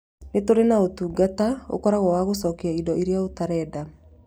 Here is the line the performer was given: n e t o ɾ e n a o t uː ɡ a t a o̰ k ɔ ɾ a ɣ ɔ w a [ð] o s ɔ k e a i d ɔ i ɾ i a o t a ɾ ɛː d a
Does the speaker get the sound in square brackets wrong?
yes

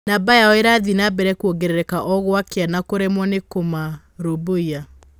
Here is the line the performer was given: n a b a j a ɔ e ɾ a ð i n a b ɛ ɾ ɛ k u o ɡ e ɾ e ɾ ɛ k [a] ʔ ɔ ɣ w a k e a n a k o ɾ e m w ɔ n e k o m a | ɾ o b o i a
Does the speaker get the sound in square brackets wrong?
no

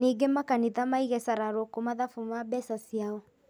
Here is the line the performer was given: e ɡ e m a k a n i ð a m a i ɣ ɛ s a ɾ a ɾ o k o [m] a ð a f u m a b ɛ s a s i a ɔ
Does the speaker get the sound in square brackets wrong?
no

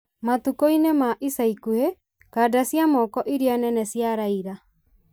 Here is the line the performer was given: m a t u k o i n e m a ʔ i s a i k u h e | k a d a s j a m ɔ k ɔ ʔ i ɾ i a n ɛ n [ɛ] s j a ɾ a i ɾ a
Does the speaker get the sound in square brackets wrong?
no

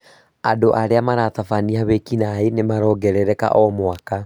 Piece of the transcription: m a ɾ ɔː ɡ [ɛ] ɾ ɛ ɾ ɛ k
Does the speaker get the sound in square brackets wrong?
no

